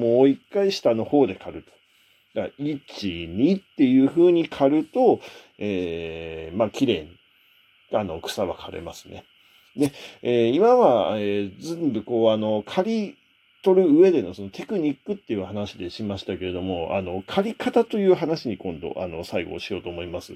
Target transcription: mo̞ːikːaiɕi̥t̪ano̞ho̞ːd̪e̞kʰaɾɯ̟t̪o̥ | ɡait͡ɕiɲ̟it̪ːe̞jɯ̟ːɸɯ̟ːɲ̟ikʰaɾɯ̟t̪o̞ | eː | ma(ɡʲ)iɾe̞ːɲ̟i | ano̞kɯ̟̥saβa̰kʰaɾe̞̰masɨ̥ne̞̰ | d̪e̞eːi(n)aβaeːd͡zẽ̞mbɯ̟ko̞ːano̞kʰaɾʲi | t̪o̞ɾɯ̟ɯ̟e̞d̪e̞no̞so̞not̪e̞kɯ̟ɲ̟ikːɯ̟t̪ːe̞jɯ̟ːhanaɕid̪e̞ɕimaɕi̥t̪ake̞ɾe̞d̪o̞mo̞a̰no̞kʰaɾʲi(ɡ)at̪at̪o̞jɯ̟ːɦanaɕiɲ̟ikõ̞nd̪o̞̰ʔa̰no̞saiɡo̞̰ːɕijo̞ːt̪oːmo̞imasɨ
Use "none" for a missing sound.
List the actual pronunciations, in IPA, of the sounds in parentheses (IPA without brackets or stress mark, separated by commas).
kʲ, m, k